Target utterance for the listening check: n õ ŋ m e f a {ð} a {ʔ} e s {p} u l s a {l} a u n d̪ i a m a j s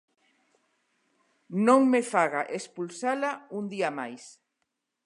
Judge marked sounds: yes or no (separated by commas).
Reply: no, yes, yes, yes